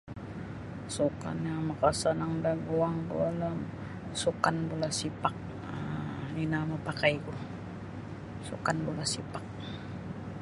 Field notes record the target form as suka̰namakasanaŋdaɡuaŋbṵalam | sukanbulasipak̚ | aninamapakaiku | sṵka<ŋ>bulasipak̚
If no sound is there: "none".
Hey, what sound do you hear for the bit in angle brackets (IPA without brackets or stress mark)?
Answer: n